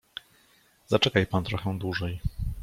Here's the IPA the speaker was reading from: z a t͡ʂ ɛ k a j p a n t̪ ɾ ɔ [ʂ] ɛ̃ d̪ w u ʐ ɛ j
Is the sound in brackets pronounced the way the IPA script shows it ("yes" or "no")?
no